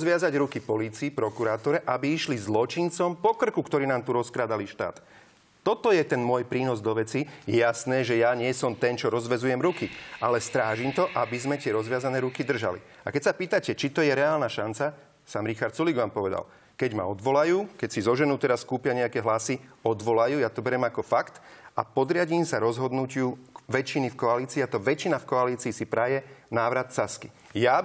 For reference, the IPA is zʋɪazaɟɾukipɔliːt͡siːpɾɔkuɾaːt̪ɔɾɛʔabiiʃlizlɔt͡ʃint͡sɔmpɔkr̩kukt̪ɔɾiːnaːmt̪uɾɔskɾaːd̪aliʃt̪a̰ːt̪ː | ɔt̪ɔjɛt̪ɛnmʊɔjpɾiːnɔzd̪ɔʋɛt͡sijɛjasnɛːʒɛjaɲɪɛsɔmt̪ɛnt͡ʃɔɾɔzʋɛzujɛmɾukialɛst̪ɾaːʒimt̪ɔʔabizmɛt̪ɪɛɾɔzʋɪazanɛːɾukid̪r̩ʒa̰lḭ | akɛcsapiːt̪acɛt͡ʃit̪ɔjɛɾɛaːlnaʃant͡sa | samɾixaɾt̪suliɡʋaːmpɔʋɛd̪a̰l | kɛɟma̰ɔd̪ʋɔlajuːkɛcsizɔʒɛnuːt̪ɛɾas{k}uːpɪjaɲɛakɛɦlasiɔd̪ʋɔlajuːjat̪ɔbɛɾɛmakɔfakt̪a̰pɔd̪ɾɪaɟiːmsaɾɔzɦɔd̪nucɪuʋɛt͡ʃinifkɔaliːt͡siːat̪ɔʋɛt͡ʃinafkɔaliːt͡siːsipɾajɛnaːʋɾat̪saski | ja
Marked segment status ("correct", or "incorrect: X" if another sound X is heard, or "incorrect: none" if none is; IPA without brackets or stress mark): correct